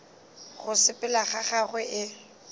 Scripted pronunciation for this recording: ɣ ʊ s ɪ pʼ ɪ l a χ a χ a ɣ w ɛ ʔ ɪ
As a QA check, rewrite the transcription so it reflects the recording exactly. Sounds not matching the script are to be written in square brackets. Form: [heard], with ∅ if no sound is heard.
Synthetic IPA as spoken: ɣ ʊ s ɪ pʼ ɪ l a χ a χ a ɣ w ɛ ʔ ɪ

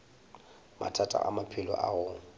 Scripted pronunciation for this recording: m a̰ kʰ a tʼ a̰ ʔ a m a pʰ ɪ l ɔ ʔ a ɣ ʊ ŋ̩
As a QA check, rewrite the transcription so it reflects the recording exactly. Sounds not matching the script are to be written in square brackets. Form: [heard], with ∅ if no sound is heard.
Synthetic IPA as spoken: m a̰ [tʰ] a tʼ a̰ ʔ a m a pʰ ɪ l ɔ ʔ a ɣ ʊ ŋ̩

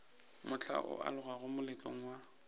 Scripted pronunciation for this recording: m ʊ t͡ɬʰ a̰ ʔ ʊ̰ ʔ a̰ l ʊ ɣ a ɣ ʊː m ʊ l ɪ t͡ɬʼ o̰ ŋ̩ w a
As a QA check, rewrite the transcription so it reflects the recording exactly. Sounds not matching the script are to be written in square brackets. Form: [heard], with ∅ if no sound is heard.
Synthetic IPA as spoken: m ʊ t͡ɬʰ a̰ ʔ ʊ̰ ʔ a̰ l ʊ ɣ a ɣ [ʊ] m ʊ l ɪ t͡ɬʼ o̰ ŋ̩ w a

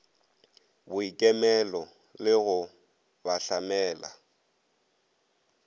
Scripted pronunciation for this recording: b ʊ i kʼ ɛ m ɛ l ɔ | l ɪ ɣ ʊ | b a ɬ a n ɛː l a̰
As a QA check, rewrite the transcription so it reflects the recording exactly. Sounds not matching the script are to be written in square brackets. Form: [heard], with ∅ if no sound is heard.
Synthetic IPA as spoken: b ʊ i kʼ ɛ m ɛ l ɔ | l ɪ ɣ ʊ | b a ɬ a [m] ɛː l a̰

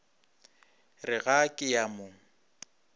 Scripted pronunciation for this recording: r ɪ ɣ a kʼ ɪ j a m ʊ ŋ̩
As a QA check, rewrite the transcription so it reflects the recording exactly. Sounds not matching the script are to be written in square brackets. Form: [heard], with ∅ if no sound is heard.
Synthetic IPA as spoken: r ɪ ɣ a kʼ ɪ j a m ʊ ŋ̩

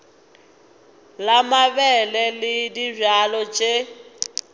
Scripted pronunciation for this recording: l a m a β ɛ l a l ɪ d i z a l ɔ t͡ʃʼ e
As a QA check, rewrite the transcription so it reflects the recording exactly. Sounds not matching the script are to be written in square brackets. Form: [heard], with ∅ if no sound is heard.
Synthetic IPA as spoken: l a m a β ɛ l [ɛ] l ɪ d i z a l ɔ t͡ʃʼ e

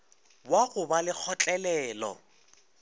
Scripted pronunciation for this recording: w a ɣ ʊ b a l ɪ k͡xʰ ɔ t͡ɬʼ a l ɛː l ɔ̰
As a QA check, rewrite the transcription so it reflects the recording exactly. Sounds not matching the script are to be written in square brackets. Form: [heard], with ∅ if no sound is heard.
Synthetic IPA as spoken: w a ɣ ʊ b a l ɪ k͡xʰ ɔ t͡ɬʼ [ɛ] l ɛː l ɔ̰

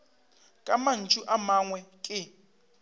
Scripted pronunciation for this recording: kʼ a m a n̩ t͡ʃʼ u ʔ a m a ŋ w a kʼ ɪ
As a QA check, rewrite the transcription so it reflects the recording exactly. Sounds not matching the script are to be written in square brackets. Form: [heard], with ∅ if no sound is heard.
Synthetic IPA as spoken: kʼ a m a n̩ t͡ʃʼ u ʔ a m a ŋ w [ɛ] kʼ ɪ

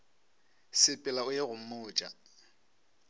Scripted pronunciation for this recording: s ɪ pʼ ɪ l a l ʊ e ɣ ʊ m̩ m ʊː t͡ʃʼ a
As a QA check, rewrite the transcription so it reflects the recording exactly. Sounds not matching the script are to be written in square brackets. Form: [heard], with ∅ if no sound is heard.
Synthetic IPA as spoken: s ɪ pʼ ɪ l a [∅] ʊ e ɣ ʊ m̩ m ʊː t͡ʃʼ a

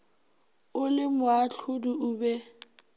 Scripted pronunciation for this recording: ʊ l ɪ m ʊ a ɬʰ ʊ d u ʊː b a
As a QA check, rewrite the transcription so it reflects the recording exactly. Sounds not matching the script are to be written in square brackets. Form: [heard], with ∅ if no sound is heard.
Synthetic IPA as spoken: ʊ l ɪ m ʊ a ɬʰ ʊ d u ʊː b [ɛ]

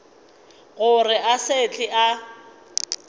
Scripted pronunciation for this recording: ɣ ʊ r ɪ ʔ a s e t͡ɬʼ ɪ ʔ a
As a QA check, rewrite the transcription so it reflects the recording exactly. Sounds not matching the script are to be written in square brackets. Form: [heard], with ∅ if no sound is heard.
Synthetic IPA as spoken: ɣ ʊ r ɪ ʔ a s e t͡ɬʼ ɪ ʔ a

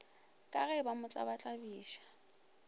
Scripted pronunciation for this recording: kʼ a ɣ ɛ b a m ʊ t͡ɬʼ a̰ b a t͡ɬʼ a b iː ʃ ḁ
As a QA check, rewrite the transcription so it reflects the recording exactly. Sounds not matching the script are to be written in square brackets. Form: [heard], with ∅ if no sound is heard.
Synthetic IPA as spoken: kʼ a ɣ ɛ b a m ʊ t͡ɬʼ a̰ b a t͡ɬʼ a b iː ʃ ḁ

